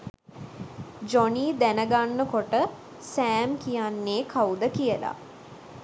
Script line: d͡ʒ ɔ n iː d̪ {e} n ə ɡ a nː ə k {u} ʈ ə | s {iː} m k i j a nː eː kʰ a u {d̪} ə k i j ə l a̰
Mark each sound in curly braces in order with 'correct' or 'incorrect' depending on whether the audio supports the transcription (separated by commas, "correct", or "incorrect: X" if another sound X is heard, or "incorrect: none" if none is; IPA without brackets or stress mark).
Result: incorrect: æ, incorrect: o, incorrect: æː, correct